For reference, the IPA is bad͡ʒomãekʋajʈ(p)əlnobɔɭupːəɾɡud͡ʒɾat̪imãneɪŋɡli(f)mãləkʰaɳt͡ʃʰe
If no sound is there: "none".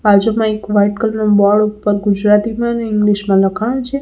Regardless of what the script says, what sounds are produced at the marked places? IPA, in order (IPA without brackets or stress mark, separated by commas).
k, ʃ